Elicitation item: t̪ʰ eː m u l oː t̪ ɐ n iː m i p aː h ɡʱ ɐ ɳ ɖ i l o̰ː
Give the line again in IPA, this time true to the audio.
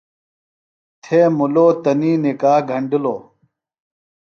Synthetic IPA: t̪ʰ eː m u l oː t̪ ɐ n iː n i k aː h ɡʱ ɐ ɳ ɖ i l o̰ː